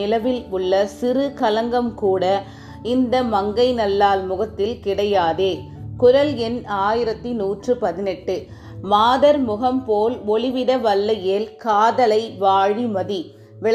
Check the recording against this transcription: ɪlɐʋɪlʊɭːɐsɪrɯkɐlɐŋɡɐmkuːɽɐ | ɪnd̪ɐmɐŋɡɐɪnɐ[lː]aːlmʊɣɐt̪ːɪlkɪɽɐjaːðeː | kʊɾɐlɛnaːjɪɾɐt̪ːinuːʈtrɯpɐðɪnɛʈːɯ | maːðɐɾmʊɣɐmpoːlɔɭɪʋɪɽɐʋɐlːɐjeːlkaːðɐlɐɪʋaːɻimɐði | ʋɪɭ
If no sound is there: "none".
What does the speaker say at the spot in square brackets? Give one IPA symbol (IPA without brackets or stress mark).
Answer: lː